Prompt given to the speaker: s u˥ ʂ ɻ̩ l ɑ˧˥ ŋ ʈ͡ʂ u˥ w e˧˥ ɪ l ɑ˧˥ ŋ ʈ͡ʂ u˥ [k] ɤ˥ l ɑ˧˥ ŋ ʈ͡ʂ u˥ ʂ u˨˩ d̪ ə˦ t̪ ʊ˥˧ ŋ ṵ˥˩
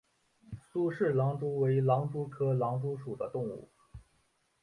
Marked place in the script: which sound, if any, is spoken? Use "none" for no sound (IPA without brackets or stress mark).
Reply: kʰ